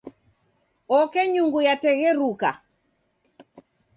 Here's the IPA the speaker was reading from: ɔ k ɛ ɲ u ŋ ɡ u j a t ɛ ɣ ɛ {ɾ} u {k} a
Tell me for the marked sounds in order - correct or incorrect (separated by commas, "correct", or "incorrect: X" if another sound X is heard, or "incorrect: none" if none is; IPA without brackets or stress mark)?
correct, correct